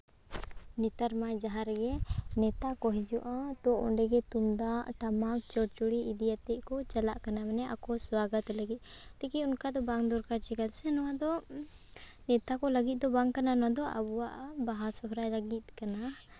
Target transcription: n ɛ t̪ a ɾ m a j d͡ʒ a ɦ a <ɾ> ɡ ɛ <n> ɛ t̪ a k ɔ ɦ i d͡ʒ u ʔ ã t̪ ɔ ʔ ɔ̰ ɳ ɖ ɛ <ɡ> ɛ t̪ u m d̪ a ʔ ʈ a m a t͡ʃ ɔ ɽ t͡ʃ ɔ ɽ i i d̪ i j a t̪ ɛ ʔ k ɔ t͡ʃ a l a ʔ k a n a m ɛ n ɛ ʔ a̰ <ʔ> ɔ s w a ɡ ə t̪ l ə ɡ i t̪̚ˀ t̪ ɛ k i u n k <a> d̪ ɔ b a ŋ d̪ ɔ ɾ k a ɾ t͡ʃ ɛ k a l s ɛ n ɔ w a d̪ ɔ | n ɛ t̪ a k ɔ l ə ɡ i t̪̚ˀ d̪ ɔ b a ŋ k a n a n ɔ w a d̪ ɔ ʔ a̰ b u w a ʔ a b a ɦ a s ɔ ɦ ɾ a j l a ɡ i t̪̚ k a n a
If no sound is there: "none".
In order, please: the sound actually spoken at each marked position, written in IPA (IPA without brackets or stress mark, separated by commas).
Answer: ɾ, n, ɡ, k, a